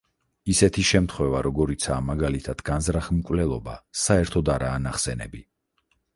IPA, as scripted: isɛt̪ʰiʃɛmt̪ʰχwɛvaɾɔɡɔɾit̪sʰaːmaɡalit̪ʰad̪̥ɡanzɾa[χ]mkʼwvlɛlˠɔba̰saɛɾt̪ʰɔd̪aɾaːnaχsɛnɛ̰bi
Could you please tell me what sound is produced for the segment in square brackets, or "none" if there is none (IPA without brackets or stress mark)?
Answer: χ